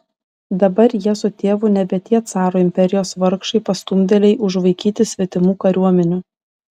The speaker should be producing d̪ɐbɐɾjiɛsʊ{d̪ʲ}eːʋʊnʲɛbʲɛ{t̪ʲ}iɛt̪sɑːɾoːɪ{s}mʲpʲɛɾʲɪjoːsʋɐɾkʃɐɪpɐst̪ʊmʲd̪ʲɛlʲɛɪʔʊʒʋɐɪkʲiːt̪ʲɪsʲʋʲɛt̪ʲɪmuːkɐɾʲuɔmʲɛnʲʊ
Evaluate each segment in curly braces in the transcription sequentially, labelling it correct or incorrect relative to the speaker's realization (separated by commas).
incorrect, correct, incorrect